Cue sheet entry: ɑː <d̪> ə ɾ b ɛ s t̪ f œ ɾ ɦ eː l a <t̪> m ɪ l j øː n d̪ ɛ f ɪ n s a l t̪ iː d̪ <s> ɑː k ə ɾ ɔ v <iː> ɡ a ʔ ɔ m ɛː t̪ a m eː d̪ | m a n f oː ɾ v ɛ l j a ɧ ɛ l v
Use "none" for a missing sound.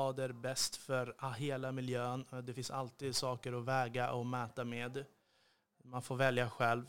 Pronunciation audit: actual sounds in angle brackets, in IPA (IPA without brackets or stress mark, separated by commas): d̪, none, s, ɛː